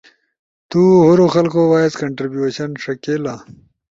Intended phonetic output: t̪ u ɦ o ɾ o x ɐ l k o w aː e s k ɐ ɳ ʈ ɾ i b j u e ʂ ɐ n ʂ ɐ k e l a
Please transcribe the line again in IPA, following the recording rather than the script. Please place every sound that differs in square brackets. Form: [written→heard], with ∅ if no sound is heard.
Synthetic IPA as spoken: t̪ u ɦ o ɾ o x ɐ l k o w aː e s k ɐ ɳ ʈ ɾ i b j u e [ʂ→ɕ] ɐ n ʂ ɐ k e l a